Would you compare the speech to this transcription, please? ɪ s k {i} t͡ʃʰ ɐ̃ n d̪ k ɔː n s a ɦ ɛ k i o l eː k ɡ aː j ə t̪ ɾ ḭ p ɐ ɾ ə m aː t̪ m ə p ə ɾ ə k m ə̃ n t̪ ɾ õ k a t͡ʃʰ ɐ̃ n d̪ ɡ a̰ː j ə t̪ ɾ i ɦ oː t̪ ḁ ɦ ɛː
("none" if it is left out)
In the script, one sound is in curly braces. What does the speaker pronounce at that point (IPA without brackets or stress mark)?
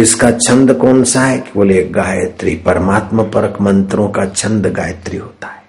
a